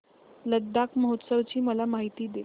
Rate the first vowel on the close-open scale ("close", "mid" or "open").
mid